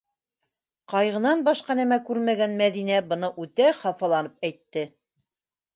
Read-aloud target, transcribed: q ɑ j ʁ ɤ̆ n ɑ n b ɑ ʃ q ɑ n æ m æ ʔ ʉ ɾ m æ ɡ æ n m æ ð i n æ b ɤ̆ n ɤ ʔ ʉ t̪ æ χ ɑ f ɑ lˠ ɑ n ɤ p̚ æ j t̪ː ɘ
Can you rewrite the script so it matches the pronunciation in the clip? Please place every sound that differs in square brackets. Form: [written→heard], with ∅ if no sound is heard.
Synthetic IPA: q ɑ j ʁ ɤ̆ n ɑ n b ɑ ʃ q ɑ n æ m æ [ʔ→k] ʉ ɾ m æ ɡ æ n m æ ð i n æ b ɤ̆ n ɤ ʔ ʉ t̪ æ χ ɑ f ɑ lˠ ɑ n ɤ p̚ æ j t̪ː ɘ